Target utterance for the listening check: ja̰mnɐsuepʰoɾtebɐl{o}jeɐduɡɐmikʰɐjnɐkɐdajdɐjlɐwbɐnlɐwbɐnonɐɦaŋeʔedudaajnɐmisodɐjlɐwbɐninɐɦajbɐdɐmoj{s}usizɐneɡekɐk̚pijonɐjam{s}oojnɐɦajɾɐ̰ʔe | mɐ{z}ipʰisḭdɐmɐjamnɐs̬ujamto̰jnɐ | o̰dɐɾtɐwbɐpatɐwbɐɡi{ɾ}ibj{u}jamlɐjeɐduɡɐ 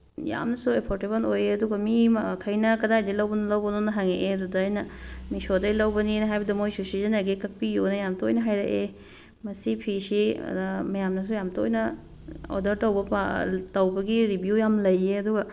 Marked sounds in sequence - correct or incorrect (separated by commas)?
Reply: correct, correct, incorrect, incorrect, correct, correct